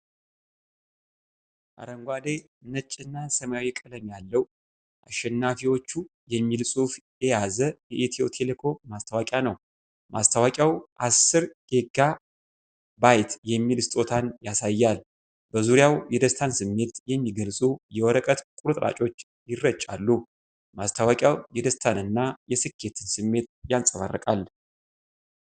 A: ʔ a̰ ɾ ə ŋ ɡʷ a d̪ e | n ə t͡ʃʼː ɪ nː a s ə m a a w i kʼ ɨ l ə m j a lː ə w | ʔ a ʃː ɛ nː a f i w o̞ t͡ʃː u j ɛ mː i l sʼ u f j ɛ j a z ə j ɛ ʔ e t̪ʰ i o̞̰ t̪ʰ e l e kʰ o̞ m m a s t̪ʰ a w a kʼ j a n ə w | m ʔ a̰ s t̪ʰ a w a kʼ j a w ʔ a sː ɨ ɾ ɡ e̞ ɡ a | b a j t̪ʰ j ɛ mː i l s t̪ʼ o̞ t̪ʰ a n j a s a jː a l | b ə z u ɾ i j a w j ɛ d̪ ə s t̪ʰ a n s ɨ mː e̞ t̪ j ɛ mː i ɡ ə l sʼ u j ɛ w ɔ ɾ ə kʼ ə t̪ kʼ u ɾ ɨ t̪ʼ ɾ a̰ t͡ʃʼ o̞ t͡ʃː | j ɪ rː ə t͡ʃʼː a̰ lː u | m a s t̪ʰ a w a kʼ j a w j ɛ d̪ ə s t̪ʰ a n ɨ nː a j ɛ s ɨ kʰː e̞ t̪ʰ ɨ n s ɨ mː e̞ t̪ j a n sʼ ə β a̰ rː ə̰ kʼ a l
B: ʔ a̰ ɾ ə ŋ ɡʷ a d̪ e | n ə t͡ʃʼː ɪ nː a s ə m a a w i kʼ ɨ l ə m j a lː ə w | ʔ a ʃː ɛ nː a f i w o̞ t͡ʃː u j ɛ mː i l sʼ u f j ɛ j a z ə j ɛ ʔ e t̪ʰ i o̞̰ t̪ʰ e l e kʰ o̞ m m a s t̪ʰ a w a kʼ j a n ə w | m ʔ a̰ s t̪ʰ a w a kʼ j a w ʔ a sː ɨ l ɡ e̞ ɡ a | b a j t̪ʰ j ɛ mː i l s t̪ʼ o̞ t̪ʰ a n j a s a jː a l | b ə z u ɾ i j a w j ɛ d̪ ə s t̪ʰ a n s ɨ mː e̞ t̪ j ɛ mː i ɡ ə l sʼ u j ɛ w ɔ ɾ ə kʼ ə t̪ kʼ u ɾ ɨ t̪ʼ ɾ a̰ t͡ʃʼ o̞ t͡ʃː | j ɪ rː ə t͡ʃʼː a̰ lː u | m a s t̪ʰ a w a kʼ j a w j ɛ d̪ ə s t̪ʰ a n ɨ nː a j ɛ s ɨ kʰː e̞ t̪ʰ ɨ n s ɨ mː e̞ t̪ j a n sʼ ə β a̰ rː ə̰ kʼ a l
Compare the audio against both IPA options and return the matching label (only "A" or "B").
A